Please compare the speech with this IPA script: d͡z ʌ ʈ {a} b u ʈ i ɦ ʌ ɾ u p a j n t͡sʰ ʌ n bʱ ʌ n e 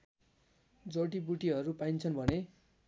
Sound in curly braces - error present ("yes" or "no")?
yes